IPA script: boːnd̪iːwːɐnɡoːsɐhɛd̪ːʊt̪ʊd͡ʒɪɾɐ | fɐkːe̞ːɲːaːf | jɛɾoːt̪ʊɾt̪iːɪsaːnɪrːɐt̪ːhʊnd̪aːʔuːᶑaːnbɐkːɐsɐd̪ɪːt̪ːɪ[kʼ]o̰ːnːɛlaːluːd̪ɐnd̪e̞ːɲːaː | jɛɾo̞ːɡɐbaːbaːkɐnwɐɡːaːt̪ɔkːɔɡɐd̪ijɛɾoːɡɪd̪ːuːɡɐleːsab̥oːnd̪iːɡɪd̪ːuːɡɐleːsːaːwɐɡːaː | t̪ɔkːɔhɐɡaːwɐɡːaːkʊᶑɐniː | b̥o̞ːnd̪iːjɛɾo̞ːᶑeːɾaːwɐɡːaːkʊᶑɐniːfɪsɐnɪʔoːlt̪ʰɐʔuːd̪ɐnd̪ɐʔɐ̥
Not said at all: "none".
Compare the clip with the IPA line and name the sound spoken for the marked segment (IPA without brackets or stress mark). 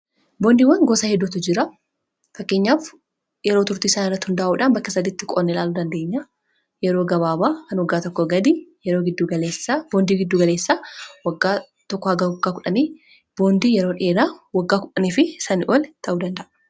kʼ